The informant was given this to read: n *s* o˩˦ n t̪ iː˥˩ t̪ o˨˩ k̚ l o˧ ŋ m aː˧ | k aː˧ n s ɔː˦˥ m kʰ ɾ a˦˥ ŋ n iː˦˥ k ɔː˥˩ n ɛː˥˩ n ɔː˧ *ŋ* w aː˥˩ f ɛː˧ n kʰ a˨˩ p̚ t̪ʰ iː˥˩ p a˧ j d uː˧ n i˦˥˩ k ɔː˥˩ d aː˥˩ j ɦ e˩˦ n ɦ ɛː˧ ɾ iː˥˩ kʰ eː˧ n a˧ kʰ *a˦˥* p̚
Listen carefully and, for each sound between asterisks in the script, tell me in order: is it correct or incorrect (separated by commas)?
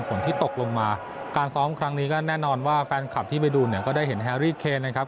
incorrect, incorrect, correct